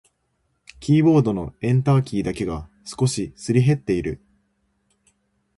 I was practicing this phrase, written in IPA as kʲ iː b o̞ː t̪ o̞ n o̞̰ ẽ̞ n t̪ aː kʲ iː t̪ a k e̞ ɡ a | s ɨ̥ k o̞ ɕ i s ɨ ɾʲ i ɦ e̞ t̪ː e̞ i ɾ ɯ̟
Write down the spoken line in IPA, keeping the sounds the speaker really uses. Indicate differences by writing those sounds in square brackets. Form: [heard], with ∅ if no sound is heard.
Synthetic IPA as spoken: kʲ iː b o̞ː [d̪] o̞ n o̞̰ ẽ̞ n t̪ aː kʲ iː [d̪] a k e̞ ɡ a | s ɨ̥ k o̞ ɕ i s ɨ ɾʲ i ɦ e̞ t̪ː e̞ i ɾ ɯ̟